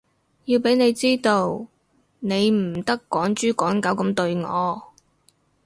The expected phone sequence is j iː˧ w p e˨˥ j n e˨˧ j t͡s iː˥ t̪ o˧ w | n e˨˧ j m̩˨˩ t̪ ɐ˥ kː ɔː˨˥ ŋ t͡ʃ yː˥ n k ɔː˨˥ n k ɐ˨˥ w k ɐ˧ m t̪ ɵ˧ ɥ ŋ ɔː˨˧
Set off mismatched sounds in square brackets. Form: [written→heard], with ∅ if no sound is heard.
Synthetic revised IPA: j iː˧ w p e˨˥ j n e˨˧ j t͡s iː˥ t̪ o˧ w | n e˨˧ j m̩˨˩ t̪ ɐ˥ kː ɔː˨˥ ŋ t͡ʃ yː˥ [n→∅] k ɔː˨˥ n k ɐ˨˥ w k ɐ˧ m t̪ ɵ˧ ɥ ŋ ɔː˨˧